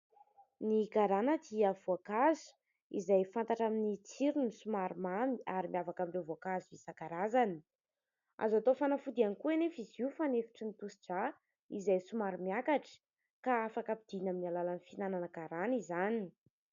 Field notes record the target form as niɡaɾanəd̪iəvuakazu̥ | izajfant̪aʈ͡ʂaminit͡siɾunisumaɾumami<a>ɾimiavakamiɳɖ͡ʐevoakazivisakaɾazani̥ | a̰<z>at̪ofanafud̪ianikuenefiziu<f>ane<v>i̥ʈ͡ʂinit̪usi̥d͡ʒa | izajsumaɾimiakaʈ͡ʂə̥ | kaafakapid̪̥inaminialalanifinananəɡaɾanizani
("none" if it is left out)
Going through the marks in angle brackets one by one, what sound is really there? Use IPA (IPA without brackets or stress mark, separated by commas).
a, z, f, f